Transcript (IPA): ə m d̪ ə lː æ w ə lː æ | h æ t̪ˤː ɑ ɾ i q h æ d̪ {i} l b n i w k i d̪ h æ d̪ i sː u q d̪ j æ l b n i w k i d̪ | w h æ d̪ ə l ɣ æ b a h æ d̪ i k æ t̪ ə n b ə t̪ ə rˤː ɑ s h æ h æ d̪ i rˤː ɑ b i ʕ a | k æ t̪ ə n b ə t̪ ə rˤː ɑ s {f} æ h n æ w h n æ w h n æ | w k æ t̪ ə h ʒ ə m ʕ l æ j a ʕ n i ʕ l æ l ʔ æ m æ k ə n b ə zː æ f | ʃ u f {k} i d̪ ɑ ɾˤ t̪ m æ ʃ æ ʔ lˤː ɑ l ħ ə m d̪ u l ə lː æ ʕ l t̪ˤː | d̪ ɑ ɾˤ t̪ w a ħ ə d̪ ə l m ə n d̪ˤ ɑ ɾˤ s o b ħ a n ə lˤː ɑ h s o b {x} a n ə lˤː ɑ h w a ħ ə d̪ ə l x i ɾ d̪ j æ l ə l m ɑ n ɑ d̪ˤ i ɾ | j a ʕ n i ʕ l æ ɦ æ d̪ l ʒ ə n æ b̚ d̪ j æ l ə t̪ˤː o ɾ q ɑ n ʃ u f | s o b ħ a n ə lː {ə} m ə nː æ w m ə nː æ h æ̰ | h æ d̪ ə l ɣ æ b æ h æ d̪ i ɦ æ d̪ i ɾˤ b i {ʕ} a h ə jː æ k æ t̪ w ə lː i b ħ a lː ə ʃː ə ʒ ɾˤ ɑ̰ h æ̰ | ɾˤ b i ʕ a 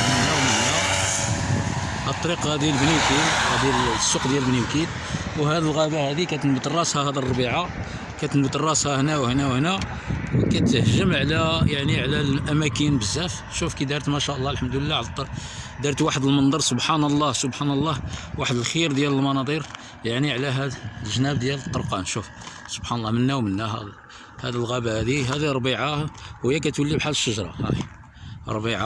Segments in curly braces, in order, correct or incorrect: correct, incorrect: h, correct, incorrect: ħ, incorrect: ɑ, correct

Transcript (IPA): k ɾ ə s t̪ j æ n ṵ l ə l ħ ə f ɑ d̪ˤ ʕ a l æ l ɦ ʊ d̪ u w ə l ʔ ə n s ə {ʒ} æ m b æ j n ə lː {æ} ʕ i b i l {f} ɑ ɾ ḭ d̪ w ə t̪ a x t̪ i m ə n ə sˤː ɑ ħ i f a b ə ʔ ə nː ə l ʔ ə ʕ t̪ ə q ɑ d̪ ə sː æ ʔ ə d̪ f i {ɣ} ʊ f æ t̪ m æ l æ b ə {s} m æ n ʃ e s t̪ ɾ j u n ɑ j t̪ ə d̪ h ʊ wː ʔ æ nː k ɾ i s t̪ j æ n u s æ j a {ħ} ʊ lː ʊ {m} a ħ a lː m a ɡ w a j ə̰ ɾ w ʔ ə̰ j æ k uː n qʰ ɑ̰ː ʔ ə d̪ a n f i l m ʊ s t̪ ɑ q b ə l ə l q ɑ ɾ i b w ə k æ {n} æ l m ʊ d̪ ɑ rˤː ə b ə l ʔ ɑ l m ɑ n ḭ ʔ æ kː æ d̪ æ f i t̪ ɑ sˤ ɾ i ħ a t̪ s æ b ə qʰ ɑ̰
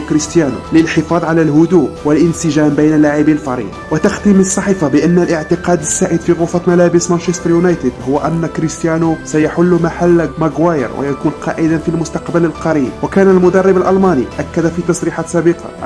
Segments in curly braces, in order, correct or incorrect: correct, incorrect: a, correct, correct, correct, correct, correct, correct

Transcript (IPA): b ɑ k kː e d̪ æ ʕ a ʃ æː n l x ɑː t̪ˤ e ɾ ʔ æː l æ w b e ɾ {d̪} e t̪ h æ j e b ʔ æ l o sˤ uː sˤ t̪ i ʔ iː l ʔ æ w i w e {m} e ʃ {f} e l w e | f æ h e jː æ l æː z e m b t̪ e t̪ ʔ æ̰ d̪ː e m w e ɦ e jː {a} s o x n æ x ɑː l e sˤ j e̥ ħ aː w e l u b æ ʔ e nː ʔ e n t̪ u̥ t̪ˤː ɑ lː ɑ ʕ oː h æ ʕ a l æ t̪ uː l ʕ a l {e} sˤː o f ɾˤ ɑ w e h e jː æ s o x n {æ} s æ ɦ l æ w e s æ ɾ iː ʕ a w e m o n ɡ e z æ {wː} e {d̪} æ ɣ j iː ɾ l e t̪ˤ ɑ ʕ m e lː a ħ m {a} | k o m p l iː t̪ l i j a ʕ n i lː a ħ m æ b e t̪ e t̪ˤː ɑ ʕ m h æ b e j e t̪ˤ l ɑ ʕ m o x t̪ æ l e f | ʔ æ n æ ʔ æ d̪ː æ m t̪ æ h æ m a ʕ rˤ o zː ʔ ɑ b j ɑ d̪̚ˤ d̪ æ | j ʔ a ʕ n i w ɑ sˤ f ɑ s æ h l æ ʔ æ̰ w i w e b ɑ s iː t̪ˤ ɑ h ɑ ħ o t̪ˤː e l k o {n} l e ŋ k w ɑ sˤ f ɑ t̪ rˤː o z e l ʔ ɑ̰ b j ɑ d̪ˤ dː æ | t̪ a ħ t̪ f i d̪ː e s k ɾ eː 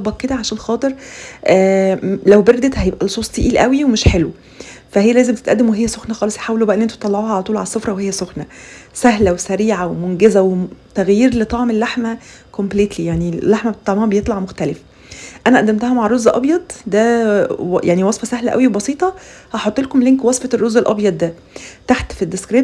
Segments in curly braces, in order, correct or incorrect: correct, correct, incorrect: ħ, incorrect: æ, incorrect: æ, correct, incorrect: w, incorrect: t̪, incorrect: æ, incorrect: m

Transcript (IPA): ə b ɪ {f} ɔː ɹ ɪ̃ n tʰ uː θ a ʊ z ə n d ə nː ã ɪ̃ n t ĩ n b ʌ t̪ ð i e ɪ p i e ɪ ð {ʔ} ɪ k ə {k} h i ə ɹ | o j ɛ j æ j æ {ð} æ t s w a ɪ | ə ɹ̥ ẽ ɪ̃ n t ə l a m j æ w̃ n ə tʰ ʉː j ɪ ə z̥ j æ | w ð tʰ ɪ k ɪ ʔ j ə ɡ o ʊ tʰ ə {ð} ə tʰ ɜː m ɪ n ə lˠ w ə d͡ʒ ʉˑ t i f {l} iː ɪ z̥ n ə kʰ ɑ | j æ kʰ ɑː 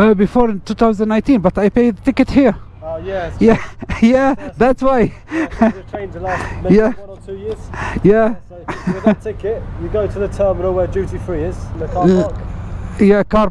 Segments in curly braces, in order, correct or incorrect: correct, incorrect: t, incorrect: t, correct, correct, incorrect: ɹ

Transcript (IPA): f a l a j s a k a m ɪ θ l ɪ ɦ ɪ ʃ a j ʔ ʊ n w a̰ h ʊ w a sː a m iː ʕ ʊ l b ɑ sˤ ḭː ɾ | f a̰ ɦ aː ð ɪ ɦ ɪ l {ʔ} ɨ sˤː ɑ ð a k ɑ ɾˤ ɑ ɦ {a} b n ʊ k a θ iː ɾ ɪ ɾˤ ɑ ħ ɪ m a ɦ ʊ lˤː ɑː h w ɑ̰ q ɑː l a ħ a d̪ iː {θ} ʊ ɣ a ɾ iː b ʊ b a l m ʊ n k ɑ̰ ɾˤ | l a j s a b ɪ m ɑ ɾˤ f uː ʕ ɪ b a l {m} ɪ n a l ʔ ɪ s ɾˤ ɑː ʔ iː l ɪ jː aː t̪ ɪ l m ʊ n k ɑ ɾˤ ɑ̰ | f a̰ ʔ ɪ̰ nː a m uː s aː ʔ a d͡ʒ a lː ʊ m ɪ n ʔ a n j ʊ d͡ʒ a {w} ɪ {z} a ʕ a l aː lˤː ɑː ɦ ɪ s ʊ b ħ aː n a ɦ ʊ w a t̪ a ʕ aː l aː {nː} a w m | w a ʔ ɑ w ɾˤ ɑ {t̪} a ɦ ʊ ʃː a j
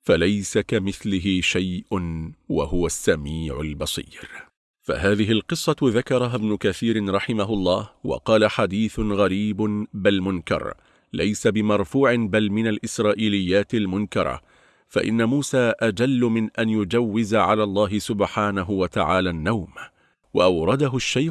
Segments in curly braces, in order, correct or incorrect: incorrect: q, correct, correct, correct, incorrect: wː, correct, correct, incorrect: d̪

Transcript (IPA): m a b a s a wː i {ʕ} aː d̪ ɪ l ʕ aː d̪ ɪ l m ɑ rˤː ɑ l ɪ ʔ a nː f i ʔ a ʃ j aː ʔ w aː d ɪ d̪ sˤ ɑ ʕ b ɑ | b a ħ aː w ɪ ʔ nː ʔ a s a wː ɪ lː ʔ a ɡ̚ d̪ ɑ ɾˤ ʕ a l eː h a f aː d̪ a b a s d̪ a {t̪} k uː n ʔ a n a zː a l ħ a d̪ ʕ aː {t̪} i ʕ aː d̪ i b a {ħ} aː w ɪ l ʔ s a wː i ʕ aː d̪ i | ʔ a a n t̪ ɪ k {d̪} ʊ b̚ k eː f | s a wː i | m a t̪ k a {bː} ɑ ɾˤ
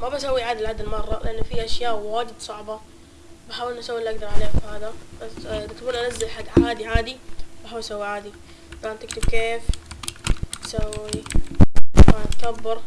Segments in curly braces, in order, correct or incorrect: correct, correct, incorrect: d̪, correct, incorrect: t̪, correct

